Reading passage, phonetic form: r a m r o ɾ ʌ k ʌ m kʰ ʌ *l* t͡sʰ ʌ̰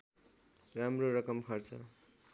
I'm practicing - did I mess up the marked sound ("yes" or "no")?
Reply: yes